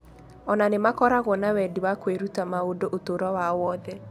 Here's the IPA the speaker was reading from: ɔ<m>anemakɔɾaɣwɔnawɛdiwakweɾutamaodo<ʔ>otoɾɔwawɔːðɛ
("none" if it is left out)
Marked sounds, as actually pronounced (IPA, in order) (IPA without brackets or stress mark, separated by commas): n, ʔ